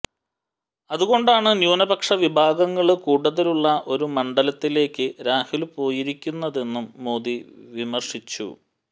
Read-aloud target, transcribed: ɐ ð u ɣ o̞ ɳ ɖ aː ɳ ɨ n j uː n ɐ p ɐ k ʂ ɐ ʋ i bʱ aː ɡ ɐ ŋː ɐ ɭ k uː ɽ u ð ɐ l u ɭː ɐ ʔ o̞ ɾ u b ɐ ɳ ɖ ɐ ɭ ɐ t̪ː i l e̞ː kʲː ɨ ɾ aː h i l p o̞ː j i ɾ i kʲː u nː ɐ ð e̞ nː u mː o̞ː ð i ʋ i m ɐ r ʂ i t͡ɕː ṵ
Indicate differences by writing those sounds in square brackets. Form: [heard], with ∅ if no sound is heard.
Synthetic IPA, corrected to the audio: ɐ ð u ɣ o̞ ɳ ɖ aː ɳ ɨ n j uː n ɐ [b] ɐ k ʂ ɐ ʋ i bʱ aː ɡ ɐ ŋː ɐ ɭ k uː ɽ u ð ɐ l u ɭː ɐ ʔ o̞ ɾ u [m] ɐ ɳ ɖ ɐ [l] ɐ t̪ː i l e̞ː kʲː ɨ ɾ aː h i l p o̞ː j i ɾ i kʲː u nː ɐ ð e̞ nː u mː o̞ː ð i ʋ i m ɐ r ʂ i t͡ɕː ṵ